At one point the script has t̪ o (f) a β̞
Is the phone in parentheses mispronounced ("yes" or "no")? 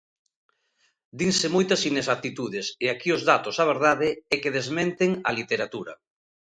yes